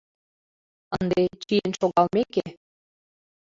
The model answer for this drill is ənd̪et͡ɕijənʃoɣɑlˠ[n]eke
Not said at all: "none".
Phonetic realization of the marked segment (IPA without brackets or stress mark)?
m